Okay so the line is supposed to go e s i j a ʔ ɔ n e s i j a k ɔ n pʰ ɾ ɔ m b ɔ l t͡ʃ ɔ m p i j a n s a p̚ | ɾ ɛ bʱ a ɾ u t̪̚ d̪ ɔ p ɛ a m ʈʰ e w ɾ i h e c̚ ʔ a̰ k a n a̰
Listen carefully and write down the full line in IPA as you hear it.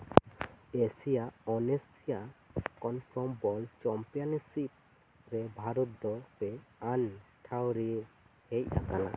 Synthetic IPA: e s i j a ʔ ɔ n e s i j a k ɔ n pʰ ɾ ɔ m b ɔ l t͡ʃ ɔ m p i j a n s i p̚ | ɾ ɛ bʱ a ɾ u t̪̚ d̪ ɔ p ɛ a n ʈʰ a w ɾ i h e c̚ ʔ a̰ k a n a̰